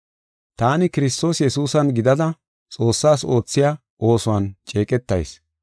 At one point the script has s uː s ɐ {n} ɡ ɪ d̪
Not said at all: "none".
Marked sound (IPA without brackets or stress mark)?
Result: n